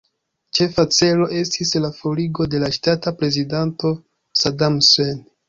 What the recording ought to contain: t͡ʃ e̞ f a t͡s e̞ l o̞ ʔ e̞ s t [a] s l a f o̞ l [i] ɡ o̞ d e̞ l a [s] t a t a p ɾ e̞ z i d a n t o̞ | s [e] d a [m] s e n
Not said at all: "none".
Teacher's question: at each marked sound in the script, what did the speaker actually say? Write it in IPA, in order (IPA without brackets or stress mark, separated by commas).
i, i, ʃ, a, m